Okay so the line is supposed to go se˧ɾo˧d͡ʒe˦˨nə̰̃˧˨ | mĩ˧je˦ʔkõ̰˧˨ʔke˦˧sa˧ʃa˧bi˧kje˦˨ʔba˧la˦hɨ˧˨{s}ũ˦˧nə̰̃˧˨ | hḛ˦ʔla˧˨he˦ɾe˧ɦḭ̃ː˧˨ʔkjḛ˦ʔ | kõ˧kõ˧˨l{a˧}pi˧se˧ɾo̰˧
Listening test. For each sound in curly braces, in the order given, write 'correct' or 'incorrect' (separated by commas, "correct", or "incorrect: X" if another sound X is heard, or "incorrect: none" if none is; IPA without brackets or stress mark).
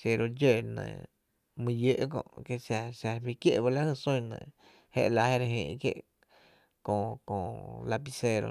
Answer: correct, correct